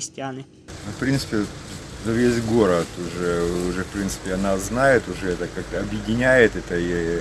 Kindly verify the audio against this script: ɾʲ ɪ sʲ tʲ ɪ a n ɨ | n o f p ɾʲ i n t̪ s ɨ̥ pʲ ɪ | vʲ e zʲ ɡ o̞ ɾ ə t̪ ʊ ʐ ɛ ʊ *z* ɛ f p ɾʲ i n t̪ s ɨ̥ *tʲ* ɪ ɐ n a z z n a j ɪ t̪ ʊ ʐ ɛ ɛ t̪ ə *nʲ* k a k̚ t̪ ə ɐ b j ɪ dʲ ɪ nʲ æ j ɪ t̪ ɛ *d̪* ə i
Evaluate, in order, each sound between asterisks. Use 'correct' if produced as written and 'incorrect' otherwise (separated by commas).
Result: incorrect, incorrect, incorrect, incorrect